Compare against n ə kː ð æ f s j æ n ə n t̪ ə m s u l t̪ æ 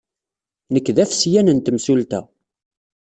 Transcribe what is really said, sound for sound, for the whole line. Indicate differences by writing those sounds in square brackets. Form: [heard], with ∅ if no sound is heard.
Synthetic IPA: n ə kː ð æ f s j æ n ə n t̪ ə m s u l t̪ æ